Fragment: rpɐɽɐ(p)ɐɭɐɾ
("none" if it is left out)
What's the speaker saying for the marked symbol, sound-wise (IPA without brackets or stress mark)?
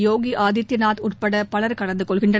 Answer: p